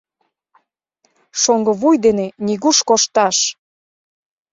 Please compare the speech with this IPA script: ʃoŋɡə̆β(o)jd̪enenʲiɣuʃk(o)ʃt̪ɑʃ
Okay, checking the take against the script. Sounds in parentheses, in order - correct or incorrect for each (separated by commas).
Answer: incorrect, correct